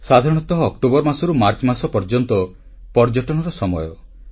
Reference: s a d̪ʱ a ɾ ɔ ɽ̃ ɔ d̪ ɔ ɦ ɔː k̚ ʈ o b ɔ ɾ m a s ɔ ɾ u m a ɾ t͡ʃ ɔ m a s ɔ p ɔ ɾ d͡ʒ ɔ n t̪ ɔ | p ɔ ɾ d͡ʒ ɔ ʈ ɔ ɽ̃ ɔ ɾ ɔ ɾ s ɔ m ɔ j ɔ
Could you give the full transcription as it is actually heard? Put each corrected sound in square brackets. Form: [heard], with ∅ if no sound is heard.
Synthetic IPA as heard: s a d̪ʱ a ɾ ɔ ɽ̃ ɔ [t̪] ɔ ɦ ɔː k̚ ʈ o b ɔ ɾ m a s ɔ ɾ u m a ɾ t͡ʃ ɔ m a s ɔ p ɔ ɾ d͡ʒ ɔ n t̪ ɔ | p ɔ ɾ d͡ʒ ɔ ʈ ɔ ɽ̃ ɔ ɾ ɔ [∅] s ɔ m ɔ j ɔ